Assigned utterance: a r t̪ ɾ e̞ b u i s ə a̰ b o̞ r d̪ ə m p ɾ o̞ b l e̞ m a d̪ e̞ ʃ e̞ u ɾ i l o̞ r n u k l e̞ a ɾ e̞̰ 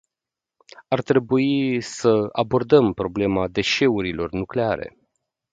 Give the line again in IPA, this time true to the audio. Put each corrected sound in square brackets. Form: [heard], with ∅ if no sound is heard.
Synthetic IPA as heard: a r t̪ ɾ e̞ b u i s ə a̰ b o̞ r d̪ ə m p ɾ o̞ b l e̞ m a d̪ e̞ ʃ e̞ u ɾ i l o̞ r n u k l e̞ a ɾ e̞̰